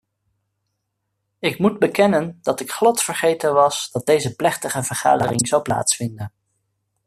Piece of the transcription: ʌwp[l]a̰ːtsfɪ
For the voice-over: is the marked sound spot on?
yes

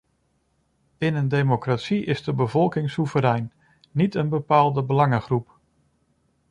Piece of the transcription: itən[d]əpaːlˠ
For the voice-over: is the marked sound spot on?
no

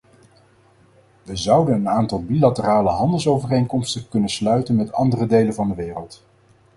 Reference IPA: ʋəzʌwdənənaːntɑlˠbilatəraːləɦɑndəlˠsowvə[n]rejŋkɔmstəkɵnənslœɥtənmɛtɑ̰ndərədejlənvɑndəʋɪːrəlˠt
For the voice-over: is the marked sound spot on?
no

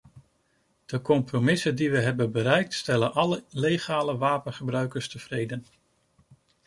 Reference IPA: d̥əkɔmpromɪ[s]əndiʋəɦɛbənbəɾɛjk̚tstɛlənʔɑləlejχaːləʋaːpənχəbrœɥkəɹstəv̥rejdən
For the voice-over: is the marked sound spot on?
yes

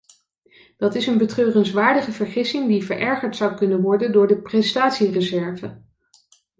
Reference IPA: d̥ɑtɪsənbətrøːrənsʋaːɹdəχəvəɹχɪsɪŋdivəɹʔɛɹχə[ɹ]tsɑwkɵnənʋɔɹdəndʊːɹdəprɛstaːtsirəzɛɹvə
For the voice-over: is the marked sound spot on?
yes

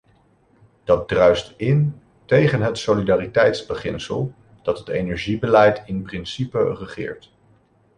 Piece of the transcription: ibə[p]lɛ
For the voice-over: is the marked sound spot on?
no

